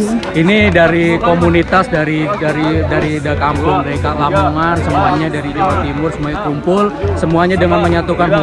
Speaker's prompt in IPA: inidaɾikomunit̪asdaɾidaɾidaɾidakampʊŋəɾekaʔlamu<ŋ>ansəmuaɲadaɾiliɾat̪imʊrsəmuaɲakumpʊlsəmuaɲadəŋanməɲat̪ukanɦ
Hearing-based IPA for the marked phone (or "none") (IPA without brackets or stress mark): ŋ